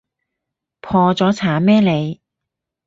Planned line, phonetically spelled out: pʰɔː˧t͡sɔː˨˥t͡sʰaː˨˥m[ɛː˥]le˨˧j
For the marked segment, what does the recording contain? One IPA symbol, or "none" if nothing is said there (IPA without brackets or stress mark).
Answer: ɛː˥